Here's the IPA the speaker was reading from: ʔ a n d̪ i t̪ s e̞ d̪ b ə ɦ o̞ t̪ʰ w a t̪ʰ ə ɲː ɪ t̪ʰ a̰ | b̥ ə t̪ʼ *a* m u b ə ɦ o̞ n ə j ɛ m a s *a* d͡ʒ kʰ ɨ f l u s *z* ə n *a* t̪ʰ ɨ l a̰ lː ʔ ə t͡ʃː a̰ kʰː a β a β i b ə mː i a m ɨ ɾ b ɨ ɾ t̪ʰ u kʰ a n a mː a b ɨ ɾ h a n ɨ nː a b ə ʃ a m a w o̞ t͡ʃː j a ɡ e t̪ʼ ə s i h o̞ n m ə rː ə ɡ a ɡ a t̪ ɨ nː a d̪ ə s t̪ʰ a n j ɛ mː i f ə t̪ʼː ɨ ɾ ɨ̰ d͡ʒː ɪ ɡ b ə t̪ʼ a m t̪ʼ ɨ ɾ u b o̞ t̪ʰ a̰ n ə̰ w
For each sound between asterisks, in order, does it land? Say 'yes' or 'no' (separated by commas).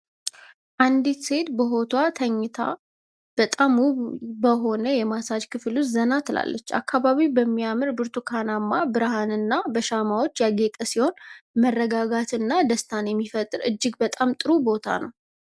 yes, yes, yes, yes